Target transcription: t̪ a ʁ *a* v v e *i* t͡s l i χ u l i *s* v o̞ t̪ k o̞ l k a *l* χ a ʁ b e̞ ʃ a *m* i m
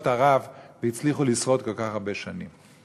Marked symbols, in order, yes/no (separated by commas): yes, yes, yes, no, no